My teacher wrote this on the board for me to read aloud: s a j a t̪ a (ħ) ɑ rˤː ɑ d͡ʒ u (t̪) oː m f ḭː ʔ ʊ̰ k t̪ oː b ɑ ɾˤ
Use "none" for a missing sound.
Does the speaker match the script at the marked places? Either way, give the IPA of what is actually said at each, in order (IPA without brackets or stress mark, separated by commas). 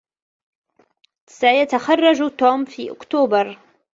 x, t̪